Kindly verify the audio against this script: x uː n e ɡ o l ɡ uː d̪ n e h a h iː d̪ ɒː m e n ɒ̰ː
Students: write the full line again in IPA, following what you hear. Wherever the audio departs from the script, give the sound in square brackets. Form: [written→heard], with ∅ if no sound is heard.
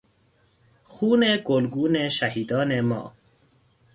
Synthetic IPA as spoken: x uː n e ɡ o l ɡ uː [d̪→∅] n e [h→ʃ] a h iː d̪ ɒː [m→n] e [n→m] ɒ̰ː